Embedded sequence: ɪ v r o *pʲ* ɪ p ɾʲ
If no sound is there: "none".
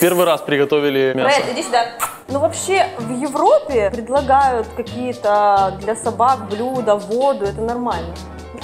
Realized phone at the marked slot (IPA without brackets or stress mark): pʲ